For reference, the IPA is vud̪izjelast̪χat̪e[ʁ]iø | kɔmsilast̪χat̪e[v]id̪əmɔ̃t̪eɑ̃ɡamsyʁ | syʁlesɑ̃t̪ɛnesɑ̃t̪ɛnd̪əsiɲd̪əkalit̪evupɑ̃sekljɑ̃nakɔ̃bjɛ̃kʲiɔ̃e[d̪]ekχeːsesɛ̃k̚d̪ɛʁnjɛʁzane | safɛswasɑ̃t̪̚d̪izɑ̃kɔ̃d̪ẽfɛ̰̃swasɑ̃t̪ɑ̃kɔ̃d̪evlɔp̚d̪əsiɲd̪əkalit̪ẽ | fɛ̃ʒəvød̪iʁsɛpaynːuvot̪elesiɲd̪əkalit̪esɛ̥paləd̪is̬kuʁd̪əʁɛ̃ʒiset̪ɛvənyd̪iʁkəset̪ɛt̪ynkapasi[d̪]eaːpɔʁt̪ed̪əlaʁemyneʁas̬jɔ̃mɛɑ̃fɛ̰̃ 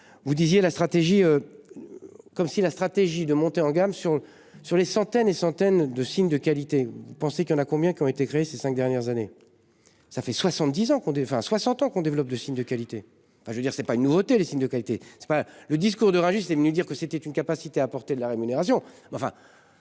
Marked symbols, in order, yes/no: no, no, no, no

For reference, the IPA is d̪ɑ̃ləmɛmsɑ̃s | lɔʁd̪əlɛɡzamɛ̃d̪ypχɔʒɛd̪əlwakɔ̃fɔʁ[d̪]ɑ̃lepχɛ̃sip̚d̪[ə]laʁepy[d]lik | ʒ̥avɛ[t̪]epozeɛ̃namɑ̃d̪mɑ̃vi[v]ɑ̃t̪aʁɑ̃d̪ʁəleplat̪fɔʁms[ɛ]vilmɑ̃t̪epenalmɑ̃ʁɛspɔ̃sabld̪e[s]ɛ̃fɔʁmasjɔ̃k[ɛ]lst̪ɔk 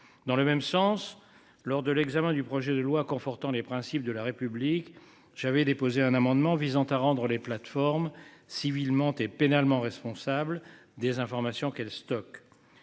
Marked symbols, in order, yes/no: no, yes, no, no, no, no, no, yes

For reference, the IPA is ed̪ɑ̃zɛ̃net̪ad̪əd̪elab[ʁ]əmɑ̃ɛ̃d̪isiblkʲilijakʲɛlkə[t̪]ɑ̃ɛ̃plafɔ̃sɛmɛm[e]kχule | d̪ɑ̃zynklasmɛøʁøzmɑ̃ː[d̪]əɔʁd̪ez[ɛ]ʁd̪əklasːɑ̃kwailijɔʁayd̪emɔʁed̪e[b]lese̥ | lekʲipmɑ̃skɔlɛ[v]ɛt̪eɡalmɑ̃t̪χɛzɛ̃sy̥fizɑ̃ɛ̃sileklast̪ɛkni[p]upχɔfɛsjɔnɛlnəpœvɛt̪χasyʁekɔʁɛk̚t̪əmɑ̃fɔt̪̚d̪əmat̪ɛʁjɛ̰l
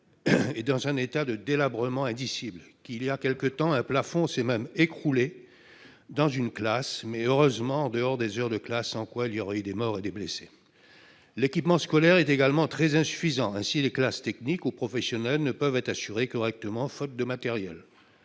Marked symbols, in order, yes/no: yes, yes, yes, yes, no, yes, no, no

